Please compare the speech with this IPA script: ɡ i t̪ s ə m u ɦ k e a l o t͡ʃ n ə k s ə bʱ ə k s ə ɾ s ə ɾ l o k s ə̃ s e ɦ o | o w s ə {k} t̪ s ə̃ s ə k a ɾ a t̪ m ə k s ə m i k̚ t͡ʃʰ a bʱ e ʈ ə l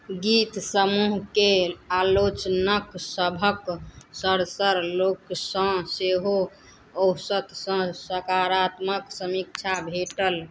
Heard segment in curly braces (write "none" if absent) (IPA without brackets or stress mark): none